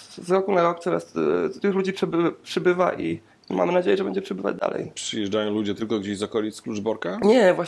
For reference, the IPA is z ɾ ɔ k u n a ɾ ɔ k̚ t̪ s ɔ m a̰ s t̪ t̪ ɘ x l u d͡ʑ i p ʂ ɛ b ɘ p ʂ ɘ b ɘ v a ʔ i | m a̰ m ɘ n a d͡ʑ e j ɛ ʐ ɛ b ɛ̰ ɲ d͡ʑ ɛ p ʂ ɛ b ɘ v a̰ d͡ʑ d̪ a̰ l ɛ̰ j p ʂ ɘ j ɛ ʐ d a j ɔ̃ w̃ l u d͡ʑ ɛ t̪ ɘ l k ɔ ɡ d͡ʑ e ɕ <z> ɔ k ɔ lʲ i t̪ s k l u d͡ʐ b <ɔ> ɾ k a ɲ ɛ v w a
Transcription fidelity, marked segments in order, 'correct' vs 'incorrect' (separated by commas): correct, correct